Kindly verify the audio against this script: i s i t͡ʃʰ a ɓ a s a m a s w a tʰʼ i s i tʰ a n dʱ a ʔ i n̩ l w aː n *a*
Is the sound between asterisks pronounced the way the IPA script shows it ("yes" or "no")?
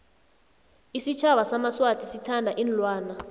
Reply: yes